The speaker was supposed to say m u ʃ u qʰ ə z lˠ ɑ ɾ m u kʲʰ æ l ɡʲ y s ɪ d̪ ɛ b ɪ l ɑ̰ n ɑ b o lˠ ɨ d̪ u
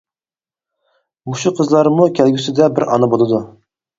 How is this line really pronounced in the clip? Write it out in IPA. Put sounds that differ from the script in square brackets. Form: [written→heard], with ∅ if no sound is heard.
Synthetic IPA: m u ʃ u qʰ ə z lˠ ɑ ɾ m u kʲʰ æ l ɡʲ y s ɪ d̪ ɛ b ɪ [l→ɾ] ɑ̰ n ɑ b o lˠ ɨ d̪ u